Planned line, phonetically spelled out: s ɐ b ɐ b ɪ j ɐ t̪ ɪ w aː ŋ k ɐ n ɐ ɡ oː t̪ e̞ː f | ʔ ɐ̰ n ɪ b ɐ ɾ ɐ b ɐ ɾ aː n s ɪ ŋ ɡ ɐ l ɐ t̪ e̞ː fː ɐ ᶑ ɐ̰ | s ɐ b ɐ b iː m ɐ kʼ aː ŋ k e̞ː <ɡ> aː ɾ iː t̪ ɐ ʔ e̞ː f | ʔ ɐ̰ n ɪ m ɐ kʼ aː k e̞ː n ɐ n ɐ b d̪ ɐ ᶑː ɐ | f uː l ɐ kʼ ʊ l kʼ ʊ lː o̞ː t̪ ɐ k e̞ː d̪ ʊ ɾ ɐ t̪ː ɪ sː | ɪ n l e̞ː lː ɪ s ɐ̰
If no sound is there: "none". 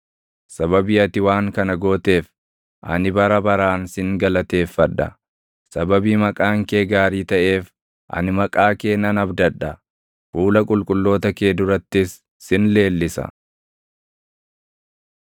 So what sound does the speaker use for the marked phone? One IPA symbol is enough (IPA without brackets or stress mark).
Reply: ɡ